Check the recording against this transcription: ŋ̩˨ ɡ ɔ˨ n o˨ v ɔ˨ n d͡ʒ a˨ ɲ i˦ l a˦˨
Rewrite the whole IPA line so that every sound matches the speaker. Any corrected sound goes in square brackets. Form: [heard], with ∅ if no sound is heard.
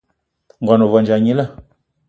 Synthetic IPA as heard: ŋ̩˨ ɡ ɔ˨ n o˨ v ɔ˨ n d͡ʒ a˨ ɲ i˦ l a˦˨